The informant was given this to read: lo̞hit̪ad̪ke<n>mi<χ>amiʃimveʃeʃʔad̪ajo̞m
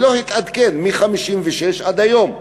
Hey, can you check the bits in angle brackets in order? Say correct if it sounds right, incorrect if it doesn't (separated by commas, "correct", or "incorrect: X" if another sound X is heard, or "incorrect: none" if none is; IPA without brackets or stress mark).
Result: correct, correct